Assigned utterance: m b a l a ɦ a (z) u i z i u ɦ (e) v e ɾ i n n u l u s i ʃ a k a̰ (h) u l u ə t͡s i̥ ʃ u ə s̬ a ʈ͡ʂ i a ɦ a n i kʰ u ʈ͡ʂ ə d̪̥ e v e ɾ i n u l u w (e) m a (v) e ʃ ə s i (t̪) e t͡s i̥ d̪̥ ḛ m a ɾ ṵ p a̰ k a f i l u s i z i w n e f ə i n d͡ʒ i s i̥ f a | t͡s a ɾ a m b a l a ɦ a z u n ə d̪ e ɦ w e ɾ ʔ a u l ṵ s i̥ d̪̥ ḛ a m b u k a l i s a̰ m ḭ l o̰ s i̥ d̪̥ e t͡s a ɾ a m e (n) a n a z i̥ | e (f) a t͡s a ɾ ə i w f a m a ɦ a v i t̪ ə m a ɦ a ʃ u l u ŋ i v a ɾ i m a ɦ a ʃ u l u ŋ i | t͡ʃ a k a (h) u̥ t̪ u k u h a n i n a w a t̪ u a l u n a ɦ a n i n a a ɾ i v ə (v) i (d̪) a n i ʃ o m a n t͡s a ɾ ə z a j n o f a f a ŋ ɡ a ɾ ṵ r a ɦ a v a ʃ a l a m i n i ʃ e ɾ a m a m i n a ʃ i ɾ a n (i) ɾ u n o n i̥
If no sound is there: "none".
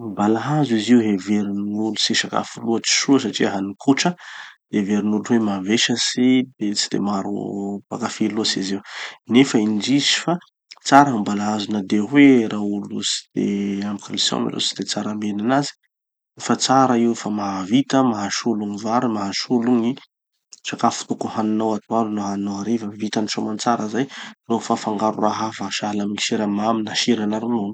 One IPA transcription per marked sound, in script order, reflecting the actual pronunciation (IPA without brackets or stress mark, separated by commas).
z, e, f, e, v, d̪, n, f, f, v, t̪, a